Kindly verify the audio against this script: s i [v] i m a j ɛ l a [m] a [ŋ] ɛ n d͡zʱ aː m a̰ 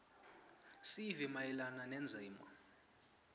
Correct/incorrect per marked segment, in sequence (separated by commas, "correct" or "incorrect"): correct, incorrect, incorrect